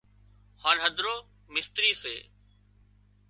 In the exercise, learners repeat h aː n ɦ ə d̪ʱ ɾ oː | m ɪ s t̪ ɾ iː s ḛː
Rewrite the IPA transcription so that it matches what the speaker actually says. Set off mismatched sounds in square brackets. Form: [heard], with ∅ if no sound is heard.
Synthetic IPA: h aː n ɦ ə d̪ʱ ɾ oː | m ɪ s t̪ ɾ iː s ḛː